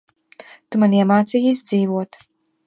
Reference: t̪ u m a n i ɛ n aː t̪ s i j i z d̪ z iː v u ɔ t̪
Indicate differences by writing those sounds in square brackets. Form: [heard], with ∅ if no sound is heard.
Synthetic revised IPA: t̪ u m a n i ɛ [m] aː t̪ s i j i z d̪ z iː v u ɔ t̪

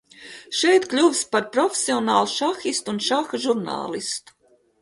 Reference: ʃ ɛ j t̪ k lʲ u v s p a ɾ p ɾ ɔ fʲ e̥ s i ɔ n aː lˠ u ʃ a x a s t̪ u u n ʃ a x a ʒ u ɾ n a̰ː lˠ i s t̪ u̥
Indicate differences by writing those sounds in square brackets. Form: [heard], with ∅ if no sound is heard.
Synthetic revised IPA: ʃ ɛ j t̪ k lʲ u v s p a ɾ p ɾ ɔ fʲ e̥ s i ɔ n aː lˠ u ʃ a x [i] s t̪ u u n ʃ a x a ʒ u ɾ n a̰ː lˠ i s t̪ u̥

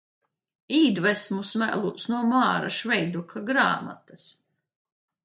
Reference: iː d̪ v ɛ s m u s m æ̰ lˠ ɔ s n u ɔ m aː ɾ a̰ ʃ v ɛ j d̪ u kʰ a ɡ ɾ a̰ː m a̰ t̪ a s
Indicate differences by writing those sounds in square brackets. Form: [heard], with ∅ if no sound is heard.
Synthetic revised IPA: iː d̪ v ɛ s m u s m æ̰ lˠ [u] s n u ɔ m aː ɾ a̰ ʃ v ɛ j d̪ u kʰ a ɡ ɾ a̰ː m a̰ t̪ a s

